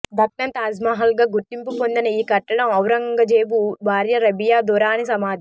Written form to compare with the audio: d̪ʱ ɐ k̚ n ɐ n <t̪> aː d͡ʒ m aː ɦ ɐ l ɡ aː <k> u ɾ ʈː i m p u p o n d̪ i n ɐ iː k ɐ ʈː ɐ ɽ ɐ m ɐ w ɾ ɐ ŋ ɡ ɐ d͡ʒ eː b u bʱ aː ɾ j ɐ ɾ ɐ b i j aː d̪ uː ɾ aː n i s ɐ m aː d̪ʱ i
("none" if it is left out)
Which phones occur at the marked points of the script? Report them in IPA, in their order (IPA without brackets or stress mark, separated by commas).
t̪, ɡ